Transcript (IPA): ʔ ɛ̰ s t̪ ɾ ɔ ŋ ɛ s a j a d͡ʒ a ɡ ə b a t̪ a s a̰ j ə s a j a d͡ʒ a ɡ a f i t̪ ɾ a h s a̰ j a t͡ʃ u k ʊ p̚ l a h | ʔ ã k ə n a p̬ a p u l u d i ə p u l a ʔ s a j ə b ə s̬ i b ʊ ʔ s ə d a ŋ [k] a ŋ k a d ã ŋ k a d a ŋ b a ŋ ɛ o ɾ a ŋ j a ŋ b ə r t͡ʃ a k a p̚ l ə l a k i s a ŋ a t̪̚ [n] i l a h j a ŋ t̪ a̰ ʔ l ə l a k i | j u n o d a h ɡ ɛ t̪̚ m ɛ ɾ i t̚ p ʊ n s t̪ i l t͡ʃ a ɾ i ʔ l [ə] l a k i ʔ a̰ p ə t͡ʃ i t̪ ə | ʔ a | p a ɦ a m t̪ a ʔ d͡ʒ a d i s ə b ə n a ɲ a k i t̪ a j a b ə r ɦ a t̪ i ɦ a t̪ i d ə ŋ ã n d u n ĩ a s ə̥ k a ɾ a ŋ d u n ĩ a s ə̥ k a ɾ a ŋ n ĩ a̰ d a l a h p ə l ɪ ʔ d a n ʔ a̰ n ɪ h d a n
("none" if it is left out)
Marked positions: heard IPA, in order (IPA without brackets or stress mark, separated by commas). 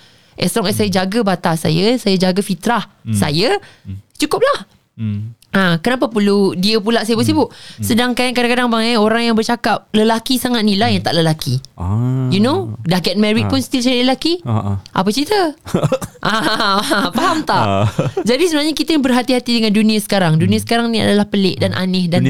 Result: k, n, ə